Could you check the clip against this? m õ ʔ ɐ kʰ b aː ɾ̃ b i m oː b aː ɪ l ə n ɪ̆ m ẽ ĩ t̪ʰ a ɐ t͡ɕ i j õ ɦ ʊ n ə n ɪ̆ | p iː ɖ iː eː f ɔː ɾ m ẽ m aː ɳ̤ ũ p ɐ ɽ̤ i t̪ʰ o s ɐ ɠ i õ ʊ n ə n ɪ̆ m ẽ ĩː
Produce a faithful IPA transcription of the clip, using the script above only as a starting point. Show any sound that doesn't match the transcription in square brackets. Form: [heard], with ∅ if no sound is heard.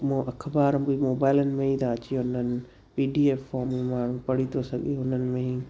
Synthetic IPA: m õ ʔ ɐ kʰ b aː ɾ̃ b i m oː b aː ɪ l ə n ɪ̆ m ẽ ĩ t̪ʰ a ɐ t͡ɕ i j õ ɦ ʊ n ə n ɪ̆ | p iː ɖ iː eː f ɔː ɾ m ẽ m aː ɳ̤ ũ p ɐ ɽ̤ i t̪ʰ o s ɐ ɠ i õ ʊ n ə n ɪ̆ m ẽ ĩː

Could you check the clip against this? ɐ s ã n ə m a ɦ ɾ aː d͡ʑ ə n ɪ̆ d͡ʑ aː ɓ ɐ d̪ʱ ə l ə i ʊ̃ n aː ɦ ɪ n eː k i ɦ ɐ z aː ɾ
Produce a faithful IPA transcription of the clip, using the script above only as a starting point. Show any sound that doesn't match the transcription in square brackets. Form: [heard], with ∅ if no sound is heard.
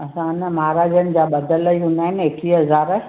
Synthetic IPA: ɐ s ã n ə m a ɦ ɾ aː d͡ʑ ə n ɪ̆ d͡ʑ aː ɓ ɐ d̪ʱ ə l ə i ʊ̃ n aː ɦ ɪ n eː k i ɦ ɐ z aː ɾ

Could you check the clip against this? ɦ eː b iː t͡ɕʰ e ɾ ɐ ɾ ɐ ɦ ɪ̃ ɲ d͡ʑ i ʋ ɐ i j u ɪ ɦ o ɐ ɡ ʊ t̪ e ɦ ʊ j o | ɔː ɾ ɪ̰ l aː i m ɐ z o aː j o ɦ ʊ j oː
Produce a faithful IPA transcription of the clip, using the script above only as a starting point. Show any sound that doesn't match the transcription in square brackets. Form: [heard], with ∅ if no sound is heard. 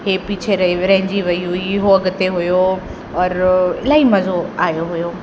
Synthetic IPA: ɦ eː [p] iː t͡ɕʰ e ɾ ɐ ɾ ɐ ɦ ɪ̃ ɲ d͡ʑ i ʋ ɐ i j u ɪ ɦ o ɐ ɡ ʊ t̪ e ɦ ʊ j o | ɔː ɾ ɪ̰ l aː i m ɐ z o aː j o ɦ ʊ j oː

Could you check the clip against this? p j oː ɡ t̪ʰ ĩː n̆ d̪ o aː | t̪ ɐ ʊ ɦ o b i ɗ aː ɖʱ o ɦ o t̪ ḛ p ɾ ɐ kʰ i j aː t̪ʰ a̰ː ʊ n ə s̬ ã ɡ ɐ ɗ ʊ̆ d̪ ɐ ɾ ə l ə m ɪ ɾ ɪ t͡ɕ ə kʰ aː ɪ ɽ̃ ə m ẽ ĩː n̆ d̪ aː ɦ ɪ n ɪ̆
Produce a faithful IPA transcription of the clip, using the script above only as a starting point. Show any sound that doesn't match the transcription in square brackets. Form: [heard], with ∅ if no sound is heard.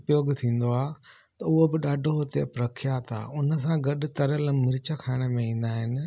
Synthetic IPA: p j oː ɡ t̪ʰ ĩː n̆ d̪ o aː | t̪ ɐ ʊ ɦ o b [ɪ] ɗ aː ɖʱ o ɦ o t̪ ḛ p ɾ ɐ kʰ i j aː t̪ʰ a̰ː ʊ n ə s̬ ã ɡ ɐ ɗ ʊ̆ [t̪] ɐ ɾ ə l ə m ɪ ɾ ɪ t͡ɕ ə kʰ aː ɪ ɽ̃ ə m ẽ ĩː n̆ d̪ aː ɦ ɪ n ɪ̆

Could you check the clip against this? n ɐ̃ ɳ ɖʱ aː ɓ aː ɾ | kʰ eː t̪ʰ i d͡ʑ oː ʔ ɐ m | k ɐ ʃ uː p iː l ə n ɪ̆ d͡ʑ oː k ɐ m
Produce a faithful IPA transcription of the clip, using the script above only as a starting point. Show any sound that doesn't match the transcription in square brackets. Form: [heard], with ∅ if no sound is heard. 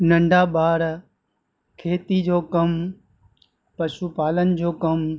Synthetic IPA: n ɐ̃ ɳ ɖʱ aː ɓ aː ɾ | kʰ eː [t̪] i d͡ʑ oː [k] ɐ m | [p] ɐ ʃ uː p [aː] l ə n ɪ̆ d͡ʑ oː k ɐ m

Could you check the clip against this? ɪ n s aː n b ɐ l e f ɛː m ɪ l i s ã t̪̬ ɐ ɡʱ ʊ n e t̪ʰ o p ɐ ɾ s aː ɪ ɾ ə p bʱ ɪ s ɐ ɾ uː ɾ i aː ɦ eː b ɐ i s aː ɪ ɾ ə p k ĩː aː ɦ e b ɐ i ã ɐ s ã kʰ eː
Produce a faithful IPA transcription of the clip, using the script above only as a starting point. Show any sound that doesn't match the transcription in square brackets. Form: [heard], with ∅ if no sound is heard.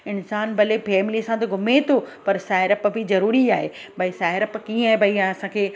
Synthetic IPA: ɪ n s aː n b ɐ l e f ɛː m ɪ l i s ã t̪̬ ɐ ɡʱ ʊ [m] e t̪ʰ o p ɐ ɾ s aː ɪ ɾ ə p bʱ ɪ [z] ɐ ɾ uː ɾ i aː ɦ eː b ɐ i s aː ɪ ɾ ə p k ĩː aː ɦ e b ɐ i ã ɐ s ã kʰ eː

